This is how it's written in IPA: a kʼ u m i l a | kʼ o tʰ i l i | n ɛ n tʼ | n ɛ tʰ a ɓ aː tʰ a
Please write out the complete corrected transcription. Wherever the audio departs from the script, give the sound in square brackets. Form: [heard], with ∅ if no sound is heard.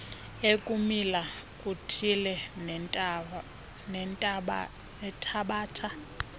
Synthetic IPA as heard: [e] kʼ u m i l a | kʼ [u] tʰ i l [ɛ] | n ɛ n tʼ | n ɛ tʰ a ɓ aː tʰ a

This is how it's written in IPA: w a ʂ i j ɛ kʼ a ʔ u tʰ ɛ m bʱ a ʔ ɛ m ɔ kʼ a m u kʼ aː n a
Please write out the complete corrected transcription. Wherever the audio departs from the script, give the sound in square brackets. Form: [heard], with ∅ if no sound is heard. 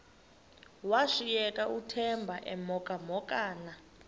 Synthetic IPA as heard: w a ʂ i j ɛ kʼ a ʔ u tʰ ɛ m bʱ a ʔ ɛ m ɔ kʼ a m [ɔ] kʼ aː n a

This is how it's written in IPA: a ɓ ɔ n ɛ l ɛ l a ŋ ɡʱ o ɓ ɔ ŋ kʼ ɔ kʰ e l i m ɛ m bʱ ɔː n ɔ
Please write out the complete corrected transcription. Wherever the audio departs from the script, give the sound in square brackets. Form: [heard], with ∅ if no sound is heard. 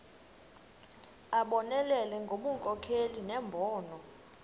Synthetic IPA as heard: a ɓ ɔ n ɛ l ɛ l [ɛ] ŋ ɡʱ o ɓ [u] ŋ kʼ ɔ kʰ e l i [n] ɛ m bʱ ɔː n ɔ

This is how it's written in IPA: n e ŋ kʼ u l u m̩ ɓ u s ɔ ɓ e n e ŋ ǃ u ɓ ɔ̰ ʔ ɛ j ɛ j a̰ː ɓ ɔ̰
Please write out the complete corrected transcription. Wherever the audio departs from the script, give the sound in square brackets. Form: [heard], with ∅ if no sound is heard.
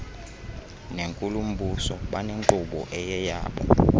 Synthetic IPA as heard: n e ŋ kʼ u l u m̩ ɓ u s ɔ ɓ [a] n e ŋ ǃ u ɓ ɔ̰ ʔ ɛ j ɛ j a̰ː ɓ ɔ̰

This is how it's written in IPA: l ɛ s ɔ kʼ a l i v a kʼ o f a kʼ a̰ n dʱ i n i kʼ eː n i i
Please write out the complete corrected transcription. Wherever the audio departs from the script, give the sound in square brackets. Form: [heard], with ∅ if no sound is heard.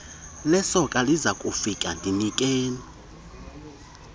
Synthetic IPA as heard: l ɛ s ɔ kʼ a l i [z] a kʼ [u] f [i] kʼ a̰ n dʱ i n i kʼ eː n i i

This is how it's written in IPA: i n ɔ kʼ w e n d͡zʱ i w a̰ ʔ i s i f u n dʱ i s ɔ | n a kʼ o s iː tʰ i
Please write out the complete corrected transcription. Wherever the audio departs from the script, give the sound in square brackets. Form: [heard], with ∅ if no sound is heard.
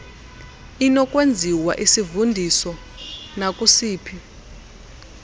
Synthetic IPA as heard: i n ɔ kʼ w e n d͡zʱ i w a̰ ʔ i s i [v] u n dʱ i s ɔ | n a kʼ [u] s iː [pʰ] i

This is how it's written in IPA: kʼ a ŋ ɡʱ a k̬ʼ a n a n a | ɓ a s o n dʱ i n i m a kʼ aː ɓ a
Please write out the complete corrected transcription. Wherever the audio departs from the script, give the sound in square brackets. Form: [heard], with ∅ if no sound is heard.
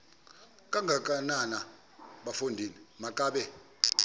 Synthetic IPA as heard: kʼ a ŋ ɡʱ a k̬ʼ a n a n a | ɓ a [f] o n dʱ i n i m a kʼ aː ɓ [ɛ]

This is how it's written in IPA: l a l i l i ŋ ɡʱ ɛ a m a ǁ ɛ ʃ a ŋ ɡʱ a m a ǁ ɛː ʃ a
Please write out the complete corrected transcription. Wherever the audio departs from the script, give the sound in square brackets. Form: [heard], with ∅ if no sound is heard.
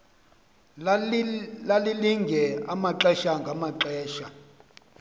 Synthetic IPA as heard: l a l i l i ŋ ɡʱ ɛ a m a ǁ ɛ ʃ a ŋ ɡʱ a m a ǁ ɛː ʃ a

